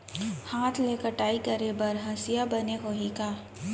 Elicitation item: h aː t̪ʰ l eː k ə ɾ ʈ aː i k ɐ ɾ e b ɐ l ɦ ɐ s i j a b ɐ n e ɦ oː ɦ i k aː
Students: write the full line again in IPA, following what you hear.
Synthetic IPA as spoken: h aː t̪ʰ l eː k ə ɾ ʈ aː i k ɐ ɾ e b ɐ ɾ ɦ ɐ s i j a b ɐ n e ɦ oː ɦ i k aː